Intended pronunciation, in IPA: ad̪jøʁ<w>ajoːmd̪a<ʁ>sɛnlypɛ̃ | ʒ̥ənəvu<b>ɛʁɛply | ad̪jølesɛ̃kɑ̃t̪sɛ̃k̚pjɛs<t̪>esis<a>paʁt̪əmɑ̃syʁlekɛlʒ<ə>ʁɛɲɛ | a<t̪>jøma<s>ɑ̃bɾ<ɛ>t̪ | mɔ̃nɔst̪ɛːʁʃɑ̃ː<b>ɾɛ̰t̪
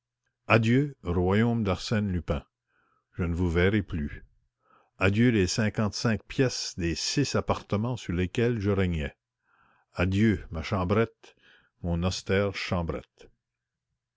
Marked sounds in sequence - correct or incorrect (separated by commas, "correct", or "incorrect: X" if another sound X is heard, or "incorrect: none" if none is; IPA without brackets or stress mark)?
correct, correct, incorrect: v, incorrect: d̪, correct, correct, incorrect: d̪, incorrect: ʃ, correct, correct